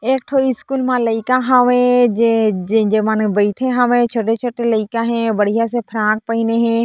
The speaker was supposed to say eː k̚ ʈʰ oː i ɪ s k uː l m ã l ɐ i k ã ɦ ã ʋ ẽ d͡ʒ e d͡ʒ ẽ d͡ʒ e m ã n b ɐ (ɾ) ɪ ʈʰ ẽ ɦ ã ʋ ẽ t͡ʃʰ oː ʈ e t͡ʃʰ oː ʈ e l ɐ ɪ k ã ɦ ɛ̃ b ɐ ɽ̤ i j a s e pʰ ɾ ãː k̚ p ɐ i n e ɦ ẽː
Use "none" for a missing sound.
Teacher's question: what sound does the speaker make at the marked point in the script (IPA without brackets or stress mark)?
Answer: none